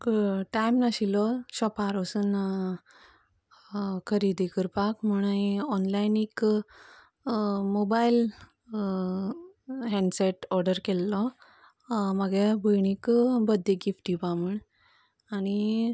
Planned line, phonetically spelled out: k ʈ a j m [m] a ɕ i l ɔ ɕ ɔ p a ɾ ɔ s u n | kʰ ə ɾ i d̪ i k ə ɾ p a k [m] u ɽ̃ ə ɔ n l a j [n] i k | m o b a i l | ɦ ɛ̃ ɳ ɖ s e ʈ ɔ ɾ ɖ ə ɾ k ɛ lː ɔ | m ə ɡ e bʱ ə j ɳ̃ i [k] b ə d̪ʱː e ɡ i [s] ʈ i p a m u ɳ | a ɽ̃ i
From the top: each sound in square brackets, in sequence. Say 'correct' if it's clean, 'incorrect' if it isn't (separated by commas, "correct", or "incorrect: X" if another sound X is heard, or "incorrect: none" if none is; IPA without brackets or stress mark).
incorrect: n, correct, correct, correct, incorrect: f